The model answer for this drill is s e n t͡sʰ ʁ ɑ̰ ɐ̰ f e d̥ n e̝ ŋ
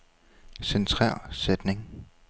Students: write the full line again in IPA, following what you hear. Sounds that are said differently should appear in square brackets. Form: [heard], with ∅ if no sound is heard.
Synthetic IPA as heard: s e n t͡sʰ ʁ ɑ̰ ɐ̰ [s] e d̥ n e̝ ŋ

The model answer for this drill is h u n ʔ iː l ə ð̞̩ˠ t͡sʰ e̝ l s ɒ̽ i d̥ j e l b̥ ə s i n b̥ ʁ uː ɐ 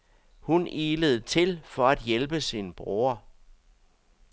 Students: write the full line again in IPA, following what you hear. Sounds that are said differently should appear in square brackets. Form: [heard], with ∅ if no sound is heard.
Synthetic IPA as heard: h u n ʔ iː l ə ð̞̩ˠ t͡sʰ e̝ l [f] ɒ̽ [æ] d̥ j e l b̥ ə s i n b̥ ʁ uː ɐ

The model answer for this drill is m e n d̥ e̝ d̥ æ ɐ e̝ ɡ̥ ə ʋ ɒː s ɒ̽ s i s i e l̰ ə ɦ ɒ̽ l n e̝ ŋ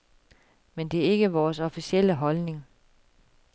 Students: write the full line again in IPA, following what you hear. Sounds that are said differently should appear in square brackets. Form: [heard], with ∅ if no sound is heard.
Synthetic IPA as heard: m e n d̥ e̝ [∅] æ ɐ e̝ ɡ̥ ə ʋ ɒː s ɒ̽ [f] i s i e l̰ ə ɦ ɒ̽ l n e̝ ŋ

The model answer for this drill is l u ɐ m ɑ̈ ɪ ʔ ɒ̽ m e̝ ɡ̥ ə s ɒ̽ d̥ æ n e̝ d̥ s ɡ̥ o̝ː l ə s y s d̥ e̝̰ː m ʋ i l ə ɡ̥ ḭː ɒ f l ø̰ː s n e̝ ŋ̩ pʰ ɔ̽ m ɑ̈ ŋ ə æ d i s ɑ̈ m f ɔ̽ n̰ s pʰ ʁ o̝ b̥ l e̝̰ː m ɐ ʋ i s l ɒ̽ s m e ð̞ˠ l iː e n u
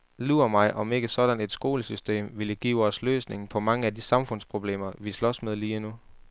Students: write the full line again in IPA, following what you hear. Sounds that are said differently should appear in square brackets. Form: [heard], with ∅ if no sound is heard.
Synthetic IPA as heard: l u ɐ m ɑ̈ ɪ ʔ ɒ̽ m e̝ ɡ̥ ə s ɒ̽ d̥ æ n e̝ d̥ s ɡ̥ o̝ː l ə s y s d̥ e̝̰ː m ʋ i l ə ɡ̥ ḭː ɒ [s] l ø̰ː s n e̝ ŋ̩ pʰ [ɒ̽] m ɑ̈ ŋ ə æ d i s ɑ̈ m f ɔ̽ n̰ s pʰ ʁ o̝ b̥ l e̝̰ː m ɐ ʋ i s l ɒ̽ s m e ð̞ˠ l iː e n u

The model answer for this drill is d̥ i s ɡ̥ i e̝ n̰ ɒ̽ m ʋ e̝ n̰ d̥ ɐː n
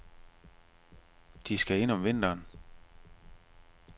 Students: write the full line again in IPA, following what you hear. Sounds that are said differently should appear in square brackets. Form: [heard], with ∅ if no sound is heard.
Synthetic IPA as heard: d̥ i s ɡ̥ [æ] e̝ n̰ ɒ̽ m ʋ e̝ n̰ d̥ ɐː n

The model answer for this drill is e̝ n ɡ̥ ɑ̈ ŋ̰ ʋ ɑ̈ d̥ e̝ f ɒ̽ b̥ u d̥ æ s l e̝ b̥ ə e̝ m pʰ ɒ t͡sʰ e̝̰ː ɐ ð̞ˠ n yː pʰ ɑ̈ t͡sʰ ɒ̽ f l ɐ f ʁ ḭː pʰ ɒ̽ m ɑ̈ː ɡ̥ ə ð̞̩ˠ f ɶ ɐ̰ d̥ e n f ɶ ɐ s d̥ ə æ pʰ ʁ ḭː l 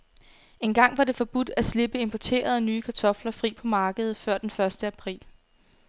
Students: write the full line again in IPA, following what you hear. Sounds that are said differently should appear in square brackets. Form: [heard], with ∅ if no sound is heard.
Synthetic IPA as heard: e̝ n ɡ̥ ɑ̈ ŋ̰ ʋ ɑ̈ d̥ e̝ f ɒ̽ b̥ u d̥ æ s l e̝ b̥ ə e̝ m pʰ ɒ t͡sʰ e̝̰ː ɐ ð̞ˠ n yː [kʰ] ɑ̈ t͡sʰ ɒ̽ f l ɐ f ʁ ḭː pʰ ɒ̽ m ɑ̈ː ɡ̥ ə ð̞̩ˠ f ɶ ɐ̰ d̥ e n f ɶ ɐ s d̥ ə æ pʰ ʁ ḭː l

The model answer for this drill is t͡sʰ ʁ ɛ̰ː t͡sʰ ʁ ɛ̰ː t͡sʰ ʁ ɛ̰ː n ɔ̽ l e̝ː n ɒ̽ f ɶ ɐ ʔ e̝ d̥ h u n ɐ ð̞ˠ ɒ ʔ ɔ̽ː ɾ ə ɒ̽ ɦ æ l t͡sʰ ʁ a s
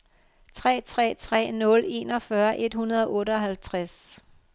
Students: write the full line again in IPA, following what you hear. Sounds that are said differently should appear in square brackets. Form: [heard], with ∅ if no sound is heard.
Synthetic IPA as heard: t͡sʰ ʁ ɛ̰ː t͡sʰ ʁ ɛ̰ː t͡sʰ ʁ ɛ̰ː n ɔ̽ l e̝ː n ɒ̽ f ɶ ɐ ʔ e̝ d̥ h u n ɐ ð̞ˠ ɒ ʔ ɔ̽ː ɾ ə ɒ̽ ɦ æ l t͡sʰ ʁ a s

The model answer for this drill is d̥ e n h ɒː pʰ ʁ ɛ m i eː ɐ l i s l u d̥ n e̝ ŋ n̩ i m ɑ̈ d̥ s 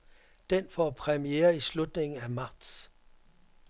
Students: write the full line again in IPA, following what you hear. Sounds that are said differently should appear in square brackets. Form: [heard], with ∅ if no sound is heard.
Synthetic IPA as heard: d̥ e n [f] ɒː pʰ ʁ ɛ m i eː ɐ [∅] i s l u d̥ n e̝ ŋ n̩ [æ] m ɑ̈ d̥ s

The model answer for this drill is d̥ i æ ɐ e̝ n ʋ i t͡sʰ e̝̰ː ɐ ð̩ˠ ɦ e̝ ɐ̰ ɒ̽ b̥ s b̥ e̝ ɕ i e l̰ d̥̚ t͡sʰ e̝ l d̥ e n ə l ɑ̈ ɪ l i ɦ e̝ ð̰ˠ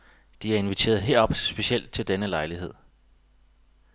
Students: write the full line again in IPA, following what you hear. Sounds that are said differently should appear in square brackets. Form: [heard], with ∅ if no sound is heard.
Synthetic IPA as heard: d̥ i æ ɐ e̝ n ʋ i t͡sʰ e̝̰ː ɐ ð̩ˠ ɦ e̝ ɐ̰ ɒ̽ b̥ s b̥ e̝ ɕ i e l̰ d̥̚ t͡sʰ e̝ l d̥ e n ə l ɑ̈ ɪ l i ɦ e̝ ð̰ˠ

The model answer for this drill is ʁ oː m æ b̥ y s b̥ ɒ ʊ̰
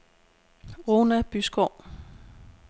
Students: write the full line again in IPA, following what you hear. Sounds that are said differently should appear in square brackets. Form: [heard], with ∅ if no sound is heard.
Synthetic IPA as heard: ʁ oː [n] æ b̥ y s [ɡ̥] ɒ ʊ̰

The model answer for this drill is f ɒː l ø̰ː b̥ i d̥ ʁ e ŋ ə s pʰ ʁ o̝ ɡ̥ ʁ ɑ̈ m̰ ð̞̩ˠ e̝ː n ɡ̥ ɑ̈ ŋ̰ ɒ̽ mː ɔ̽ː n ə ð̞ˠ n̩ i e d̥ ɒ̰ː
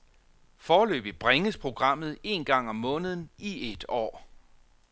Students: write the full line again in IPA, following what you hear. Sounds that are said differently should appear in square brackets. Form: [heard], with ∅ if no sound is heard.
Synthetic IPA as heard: f ɒː l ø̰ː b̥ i [b̥] ʁ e ŋ ə s pʰ ʁ o̝ ɡ̥ ʁ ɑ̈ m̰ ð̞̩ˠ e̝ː n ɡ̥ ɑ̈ ŋ̰ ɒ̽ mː ɔ̽ː n ə ð̞ˠ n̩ i e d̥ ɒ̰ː

